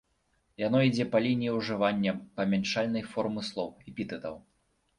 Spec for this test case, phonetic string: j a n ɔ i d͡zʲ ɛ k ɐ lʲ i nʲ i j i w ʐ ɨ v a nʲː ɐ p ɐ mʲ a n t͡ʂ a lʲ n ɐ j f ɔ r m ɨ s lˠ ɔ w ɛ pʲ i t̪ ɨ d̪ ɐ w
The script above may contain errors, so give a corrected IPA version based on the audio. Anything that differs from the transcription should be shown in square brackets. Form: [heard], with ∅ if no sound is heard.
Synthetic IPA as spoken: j a n ɔ i d͡zʲ ɛ [p] ɐ lʲ i nʲ i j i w ʐ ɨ v a nʲː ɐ p ɐ mʲ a n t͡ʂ a lʲ n ɐ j f ɔ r m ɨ s lˠ ɔ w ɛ pʲ i t̪ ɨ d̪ ɐ w